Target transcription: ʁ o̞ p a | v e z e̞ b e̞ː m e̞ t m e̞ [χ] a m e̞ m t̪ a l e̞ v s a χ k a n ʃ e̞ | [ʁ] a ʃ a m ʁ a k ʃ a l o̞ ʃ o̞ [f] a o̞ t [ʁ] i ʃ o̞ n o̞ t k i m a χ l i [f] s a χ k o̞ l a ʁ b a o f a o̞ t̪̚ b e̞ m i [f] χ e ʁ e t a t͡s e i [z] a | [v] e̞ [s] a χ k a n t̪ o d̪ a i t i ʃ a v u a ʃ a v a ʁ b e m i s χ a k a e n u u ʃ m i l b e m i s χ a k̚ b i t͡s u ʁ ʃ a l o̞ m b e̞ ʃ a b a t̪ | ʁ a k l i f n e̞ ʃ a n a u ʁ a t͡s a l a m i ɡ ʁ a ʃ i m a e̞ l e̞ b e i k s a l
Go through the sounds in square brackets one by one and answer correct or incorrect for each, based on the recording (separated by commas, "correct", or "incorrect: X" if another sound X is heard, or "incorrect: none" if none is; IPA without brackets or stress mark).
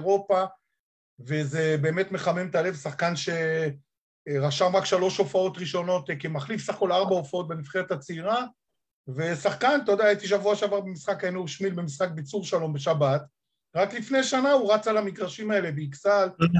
correct, correct, correct, correct, correct, correct, incorrect: ʁ, correct, correct